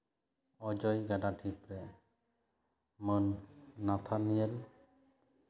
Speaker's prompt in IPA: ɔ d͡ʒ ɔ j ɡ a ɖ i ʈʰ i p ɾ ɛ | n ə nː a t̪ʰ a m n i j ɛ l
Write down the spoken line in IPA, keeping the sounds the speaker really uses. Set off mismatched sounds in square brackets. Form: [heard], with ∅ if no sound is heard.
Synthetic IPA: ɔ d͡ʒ ɔ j ɡ a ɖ [a] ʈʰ i p ɾ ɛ | [m] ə nː a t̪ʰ a [∅] n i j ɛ l